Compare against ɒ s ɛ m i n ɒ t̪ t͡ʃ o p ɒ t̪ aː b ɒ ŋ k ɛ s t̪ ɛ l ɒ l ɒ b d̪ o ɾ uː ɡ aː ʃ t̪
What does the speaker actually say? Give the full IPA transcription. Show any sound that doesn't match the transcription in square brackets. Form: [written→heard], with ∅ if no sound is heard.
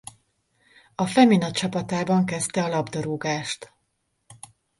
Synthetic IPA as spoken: ɒ [s→f] ɛ m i n ɒ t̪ t͡ʃ [o→ɒ] p ɒ t̪ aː b ɒ ŋ k ɛ s t̪ ɛ [l→∅] ɒ l ɒ b d̪ o ɾ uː ɡ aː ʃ t̪